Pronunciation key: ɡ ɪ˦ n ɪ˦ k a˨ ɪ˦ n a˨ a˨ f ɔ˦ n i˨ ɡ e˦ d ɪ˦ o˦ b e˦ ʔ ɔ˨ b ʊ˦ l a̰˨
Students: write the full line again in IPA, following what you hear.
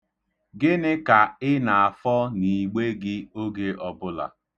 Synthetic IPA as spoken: ɡ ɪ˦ n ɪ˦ k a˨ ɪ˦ n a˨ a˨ f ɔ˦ n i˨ ɡ͡b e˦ ɡ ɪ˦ o˦ ɡ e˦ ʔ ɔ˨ b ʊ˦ l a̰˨